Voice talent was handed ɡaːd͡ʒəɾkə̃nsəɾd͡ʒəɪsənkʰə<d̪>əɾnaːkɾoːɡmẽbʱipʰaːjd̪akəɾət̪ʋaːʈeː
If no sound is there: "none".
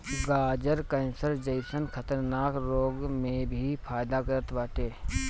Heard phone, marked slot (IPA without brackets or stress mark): t̪